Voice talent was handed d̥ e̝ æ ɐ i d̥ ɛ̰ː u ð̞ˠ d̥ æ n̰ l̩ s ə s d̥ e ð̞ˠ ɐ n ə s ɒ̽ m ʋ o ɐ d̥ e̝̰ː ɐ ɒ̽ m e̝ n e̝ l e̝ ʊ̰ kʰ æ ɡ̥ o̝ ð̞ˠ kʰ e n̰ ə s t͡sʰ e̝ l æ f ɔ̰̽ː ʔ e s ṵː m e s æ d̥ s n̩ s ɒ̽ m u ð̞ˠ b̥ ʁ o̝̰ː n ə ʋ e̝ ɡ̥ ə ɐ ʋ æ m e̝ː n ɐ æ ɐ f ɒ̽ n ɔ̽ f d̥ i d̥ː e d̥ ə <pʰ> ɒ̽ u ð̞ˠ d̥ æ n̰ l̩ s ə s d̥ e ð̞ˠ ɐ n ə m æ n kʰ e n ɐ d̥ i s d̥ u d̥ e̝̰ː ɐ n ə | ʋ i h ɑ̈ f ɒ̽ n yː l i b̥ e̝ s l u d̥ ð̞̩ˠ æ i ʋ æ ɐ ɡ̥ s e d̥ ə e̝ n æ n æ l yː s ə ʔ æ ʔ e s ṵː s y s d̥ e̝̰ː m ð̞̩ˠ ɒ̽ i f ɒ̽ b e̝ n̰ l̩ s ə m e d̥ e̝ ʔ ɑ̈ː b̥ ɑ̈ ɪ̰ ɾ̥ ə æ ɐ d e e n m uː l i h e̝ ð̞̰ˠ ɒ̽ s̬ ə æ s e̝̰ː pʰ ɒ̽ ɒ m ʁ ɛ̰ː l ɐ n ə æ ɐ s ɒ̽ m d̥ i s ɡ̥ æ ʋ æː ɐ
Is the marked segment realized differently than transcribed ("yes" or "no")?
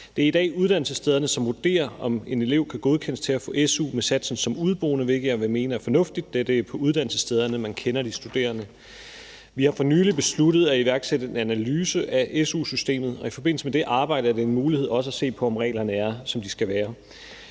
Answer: no